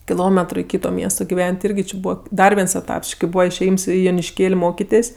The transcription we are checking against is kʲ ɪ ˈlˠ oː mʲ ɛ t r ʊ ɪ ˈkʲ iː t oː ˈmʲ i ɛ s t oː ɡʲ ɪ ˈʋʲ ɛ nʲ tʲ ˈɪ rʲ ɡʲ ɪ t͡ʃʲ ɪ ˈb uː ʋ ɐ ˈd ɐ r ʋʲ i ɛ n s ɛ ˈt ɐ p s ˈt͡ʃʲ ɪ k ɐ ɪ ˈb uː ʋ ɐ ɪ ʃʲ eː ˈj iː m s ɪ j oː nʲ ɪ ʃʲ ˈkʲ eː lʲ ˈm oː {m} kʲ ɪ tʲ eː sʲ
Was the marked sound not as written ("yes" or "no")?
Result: yes